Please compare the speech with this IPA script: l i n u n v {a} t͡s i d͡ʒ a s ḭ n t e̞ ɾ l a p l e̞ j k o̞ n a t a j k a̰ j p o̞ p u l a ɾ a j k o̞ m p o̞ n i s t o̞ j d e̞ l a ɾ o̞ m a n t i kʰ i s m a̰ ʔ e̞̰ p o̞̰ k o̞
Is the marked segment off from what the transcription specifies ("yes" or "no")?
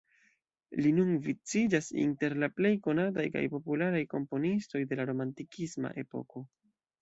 yes